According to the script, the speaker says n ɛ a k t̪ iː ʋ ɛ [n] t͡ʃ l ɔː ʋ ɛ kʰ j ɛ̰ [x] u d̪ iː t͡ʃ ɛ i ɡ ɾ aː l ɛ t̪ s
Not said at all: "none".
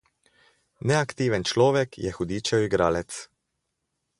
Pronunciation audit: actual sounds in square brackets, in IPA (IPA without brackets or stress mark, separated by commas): n, x